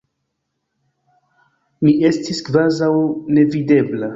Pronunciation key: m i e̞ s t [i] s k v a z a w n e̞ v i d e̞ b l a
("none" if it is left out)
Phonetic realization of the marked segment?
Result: i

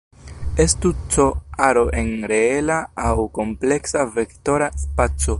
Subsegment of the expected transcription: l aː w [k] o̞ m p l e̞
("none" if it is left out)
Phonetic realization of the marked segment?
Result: k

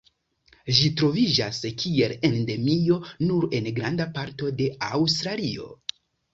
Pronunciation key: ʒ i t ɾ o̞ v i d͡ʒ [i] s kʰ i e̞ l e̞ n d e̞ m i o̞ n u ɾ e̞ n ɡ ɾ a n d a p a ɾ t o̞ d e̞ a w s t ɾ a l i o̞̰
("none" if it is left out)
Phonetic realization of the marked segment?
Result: a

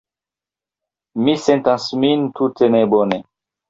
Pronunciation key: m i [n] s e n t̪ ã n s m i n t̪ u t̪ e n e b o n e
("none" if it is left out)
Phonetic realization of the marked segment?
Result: none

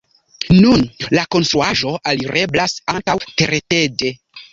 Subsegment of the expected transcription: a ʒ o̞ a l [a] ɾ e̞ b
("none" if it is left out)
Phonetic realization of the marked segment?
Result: i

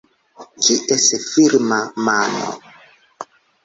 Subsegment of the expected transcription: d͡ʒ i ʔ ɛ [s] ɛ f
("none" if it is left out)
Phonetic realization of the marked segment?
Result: s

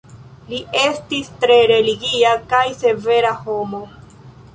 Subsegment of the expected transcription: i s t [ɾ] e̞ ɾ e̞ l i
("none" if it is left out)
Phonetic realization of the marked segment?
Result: ɾ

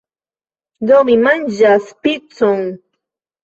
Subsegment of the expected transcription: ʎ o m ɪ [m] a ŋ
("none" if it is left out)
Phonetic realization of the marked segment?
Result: m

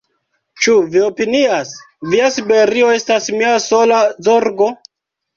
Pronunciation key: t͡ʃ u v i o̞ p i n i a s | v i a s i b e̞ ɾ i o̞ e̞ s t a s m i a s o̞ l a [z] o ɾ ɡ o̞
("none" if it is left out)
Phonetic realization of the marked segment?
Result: z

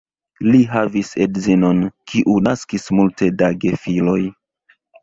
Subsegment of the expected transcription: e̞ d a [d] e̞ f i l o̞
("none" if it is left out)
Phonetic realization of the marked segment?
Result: ɡ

